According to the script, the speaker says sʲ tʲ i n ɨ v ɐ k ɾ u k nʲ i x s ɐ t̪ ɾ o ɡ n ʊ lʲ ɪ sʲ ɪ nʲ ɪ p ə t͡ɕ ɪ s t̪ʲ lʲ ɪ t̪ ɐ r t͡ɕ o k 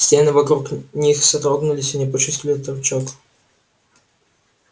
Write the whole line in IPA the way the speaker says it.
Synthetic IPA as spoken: sʲ tʲ e n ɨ v ɐ k ɾ u k nʲ i x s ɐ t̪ ɾ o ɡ n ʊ lʲ ɪ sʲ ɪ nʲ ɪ p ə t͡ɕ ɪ s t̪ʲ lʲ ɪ t̪ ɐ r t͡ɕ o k